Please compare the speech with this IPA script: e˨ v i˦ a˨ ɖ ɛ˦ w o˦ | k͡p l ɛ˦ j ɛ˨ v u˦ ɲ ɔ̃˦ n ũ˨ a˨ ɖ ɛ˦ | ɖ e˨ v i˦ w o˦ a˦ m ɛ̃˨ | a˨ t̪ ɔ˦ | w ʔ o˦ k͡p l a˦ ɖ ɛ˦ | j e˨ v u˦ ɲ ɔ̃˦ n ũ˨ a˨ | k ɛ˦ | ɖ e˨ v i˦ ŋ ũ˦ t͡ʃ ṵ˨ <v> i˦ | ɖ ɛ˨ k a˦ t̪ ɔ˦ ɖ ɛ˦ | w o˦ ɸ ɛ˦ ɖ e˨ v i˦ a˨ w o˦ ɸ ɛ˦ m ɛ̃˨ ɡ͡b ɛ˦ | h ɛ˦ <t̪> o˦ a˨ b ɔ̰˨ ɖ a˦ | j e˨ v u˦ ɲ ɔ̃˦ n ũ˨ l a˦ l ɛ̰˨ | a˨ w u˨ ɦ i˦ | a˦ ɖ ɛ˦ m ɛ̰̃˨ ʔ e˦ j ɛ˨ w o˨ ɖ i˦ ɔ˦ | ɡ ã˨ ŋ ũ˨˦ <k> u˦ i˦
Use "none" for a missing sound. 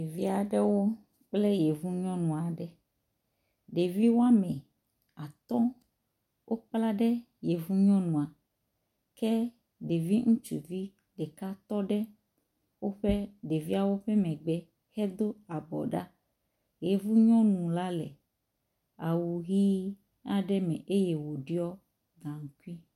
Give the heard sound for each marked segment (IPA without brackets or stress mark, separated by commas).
v, d̪, k